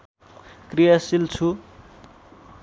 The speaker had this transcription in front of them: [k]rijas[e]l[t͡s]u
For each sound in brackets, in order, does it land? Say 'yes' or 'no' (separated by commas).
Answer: yes, no, no